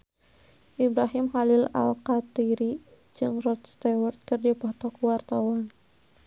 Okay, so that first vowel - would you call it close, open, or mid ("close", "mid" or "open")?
close